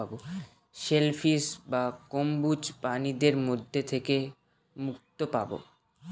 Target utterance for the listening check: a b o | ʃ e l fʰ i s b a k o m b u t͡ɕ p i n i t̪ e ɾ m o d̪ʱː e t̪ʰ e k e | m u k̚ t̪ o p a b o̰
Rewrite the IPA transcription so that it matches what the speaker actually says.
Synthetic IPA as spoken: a b o | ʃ e l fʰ i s b a k o m b u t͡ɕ p a n i d̪ e ɾ m o d̪ʱː e t̪ʰ e k e | m u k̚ t̪ o p a b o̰